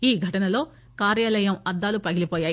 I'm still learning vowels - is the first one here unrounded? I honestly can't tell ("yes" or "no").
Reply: yes